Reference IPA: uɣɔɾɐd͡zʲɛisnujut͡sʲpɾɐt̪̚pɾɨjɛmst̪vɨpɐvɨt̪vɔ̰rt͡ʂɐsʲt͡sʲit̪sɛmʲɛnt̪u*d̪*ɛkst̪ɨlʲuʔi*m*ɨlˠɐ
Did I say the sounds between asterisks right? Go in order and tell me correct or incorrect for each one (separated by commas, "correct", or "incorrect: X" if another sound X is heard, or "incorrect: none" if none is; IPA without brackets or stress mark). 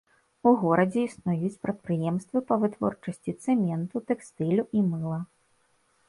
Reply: incorrect: t̪, correct